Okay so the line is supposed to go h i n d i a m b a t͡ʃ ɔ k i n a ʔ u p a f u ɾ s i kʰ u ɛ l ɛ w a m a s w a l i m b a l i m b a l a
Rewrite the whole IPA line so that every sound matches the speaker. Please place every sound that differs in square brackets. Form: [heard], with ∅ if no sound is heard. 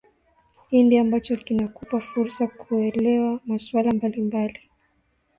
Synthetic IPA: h i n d i a m b a t͡ʃ ɔ k i n a [k] u p a f u ɾ s [a] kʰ u ɛ l ɛ w a m a s w a l [a] m b a l i m b a l [i]